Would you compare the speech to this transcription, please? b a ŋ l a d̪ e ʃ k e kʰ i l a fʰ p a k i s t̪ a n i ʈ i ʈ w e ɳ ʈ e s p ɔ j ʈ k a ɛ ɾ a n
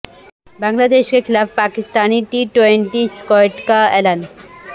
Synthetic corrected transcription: b a ŋ l a d̪ e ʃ k e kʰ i l a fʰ p a k i s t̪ a n i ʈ i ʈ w e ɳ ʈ i s k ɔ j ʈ k a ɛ l a n